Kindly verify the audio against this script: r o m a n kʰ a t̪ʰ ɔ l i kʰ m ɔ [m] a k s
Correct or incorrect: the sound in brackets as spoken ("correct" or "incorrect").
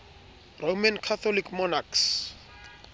incorrect